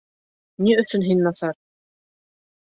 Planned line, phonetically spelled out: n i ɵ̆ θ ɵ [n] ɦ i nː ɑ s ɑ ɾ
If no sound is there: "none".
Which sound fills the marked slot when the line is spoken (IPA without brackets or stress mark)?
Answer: n